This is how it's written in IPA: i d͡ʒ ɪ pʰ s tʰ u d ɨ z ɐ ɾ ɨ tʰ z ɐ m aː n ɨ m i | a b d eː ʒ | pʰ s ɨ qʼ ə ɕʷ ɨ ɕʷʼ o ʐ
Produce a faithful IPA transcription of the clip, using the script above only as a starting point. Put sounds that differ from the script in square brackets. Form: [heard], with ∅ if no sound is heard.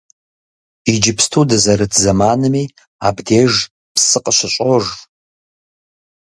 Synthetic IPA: i d͡ʒ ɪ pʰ s tʰ u d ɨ z ɐ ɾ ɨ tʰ z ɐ m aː n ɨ m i | a b d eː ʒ | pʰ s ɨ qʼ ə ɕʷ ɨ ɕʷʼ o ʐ

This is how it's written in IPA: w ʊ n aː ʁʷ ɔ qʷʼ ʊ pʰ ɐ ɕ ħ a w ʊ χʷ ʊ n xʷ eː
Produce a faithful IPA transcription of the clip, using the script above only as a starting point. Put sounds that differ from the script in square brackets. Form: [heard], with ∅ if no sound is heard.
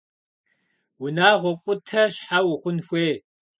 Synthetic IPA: w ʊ n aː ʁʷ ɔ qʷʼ ʊ [tʰ] ɐ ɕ ħ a w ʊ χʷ ʊ n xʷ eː

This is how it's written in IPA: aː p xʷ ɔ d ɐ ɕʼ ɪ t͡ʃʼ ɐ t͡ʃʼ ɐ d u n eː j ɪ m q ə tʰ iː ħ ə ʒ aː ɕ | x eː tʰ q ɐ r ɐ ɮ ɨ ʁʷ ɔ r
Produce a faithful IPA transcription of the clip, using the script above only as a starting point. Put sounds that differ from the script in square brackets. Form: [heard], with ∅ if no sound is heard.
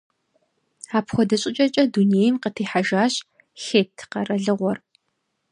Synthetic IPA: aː p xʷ ɔ d ɐ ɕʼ ɪ t͡ʃʼ ɐ t͡ʃʼ ɐ d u n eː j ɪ m q ə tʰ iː ħ [a] ʒ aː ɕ | x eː tʰ q ɐ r ɐ ɮ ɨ ʁʷ ɔ r

